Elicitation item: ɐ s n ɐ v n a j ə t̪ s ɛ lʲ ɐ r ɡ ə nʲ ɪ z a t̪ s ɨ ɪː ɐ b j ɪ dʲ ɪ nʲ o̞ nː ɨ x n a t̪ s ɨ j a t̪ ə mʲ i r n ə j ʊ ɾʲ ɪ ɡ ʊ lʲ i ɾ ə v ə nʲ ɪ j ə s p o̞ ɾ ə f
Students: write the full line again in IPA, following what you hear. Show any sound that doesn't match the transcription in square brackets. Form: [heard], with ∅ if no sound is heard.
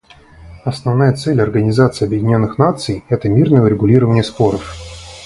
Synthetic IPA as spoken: ɐ s n ɐ v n a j ə t̪ s ɛ lʲ ɐ r ɡ ə nʲ ɪ z a t̪ s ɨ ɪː ɐ b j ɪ dʲ ɪ nʲ o̞ nː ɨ x n a t̪ s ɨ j [ɛ] t̪ ə mʲ i r n ə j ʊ ɾʲ ɪ ɡ ʊ lʲ i ɾ ə v ə nʲ ɪ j ə s p o̞ ɾ ə f